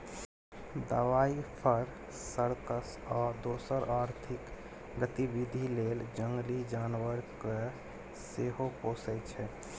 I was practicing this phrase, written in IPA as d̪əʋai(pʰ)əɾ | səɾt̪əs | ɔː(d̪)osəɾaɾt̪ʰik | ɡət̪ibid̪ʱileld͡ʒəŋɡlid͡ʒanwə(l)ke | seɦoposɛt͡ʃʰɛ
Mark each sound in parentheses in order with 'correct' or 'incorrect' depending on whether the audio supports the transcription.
correct, correct, incorrect: ɾ

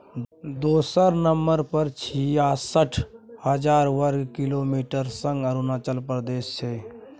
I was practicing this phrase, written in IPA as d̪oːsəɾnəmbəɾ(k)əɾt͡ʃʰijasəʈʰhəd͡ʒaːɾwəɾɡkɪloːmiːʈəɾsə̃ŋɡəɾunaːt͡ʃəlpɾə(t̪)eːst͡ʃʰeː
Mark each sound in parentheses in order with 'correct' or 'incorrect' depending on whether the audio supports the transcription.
incorrect: p, incorrect: d̪

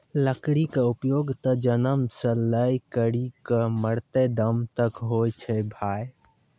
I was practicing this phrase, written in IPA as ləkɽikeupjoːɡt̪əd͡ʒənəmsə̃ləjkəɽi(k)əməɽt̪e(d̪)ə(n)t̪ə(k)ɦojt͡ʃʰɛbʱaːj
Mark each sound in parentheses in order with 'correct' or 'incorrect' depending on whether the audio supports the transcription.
correct, correct, incorrect: m, correct

